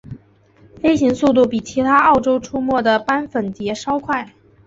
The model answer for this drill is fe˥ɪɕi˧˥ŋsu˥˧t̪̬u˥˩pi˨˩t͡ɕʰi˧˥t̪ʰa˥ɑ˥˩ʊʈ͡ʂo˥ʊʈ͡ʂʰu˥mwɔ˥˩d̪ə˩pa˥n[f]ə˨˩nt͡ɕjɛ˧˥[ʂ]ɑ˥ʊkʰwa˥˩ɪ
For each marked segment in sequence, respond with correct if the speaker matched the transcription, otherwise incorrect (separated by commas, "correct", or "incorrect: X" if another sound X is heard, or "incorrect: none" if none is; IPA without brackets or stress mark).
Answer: correct, correct